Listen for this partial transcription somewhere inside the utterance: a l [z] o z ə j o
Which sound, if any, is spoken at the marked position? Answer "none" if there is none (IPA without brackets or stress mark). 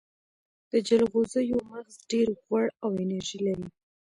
ɣ